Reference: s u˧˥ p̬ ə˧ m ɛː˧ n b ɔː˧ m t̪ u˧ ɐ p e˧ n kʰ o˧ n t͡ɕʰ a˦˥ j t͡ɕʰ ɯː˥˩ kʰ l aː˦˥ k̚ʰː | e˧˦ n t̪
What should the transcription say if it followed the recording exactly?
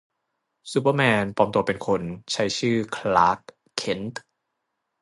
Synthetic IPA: s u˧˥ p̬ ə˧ m ɛː˧ n p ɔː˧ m t̪ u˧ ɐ p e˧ n kʰ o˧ n t͡ɕʰ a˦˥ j t͡ɕʰ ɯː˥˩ kʰ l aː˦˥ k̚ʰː | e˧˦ n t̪